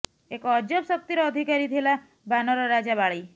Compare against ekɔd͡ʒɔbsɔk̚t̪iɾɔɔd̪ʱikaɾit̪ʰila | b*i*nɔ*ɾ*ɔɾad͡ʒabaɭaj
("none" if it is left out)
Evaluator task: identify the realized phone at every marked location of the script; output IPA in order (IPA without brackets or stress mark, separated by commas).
a, ɾ